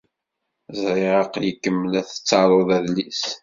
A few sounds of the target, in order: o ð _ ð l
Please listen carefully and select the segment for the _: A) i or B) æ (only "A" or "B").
B